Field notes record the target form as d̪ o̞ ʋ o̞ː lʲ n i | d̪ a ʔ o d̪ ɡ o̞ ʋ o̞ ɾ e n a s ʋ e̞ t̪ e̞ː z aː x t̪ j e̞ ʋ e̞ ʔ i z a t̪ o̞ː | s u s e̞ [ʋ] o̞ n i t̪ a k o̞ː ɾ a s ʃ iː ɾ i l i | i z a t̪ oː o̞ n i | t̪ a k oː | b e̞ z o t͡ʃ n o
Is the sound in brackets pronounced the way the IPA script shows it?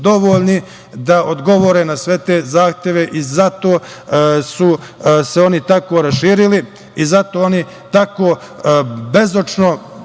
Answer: no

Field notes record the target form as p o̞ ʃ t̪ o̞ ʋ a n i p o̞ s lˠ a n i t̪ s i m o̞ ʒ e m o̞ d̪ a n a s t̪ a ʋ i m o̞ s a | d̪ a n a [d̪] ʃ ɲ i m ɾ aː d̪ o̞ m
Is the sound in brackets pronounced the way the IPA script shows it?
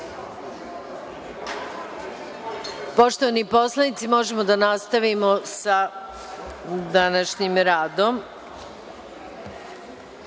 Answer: no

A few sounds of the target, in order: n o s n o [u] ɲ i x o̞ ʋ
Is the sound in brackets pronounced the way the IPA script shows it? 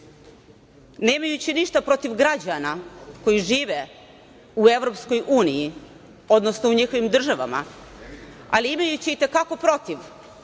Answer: yes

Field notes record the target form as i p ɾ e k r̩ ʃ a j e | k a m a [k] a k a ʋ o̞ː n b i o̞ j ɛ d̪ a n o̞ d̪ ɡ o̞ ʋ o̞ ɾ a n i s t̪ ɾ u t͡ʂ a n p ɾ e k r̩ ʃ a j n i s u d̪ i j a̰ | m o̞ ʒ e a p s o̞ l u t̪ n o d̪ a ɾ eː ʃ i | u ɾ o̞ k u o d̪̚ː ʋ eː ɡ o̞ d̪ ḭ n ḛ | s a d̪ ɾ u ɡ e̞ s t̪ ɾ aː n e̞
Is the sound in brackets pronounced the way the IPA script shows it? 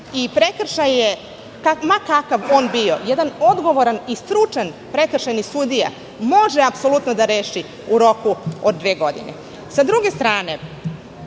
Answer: yes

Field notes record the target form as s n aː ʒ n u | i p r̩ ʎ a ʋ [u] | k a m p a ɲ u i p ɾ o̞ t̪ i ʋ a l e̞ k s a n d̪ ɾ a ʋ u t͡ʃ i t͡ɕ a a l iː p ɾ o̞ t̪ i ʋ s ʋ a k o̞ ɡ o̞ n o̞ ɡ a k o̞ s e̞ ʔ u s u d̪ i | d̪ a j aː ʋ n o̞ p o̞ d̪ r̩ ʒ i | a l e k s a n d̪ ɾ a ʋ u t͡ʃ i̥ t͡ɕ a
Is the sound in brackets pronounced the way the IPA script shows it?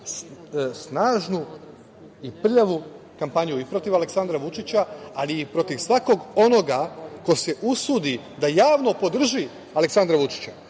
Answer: yes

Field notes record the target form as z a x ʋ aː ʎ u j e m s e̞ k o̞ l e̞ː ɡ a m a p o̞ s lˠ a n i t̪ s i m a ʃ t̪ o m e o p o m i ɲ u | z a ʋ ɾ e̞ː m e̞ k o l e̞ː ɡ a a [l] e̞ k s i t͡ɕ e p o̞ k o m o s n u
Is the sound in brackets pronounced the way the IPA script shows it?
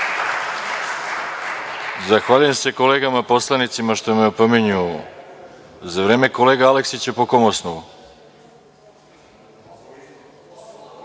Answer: yes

